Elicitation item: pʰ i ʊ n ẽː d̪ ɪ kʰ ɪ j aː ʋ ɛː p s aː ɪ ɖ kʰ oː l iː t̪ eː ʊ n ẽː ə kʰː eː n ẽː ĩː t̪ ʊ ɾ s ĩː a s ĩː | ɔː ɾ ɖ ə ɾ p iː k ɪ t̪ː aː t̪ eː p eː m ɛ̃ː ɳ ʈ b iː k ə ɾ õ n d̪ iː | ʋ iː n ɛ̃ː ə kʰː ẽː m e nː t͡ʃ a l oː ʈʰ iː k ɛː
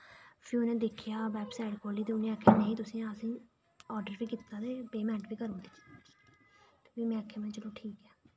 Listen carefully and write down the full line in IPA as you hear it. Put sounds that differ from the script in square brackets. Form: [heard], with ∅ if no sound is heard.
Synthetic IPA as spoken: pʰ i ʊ n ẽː d̪ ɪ kʰ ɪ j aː ʋ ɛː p s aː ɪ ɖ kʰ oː l iː t̪ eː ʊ n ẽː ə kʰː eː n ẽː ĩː t̪ ʊ [∅] s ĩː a s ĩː | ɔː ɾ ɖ ə ɾ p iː k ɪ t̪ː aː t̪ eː p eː m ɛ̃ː ɳ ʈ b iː k ə ɾ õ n d̪ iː | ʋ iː [m] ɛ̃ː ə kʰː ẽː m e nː t͡ʃ [ə] l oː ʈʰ iː k ɛː